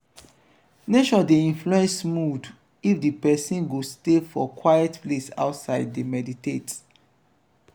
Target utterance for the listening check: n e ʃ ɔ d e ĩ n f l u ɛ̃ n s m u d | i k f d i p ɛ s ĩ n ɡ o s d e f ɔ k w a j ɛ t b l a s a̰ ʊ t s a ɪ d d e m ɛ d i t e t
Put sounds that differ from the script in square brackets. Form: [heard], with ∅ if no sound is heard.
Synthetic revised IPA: n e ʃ ɔ d e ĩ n f l u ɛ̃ n s m u d | i [∅] f d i p ɛ s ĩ n ɡ o s [t] e f ɔ k w a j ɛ t [p] l [e] s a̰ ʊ t s a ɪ d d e m ɛ d i t e t